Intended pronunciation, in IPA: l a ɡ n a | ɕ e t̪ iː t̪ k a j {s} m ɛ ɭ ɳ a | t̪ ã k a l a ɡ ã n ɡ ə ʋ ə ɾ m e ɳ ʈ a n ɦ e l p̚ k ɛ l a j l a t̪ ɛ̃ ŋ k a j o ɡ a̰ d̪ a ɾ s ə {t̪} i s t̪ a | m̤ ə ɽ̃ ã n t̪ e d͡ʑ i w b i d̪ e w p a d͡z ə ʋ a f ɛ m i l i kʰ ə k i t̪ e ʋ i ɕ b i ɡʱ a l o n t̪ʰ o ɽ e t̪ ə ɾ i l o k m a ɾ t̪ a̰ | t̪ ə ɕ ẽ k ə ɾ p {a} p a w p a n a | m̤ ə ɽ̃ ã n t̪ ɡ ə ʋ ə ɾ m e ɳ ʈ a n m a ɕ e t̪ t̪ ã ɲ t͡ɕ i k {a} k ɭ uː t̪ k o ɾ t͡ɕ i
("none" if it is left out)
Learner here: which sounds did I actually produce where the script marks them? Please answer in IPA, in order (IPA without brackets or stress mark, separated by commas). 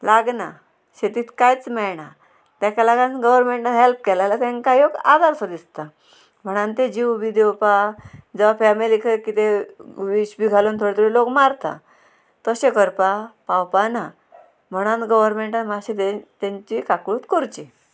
t͡s, d̪, a, a